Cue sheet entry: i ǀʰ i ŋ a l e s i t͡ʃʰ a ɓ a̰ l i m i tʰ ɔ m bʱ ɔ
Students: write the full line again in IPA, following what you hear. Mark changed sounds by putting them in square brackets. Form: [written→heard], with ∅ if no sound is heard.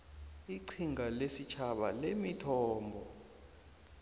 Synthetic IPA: i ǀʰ i ŋ a l e s i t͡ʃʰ a ɓ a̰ l [i→e] m i tʰ [ɔ→ɔː] m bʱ ɔ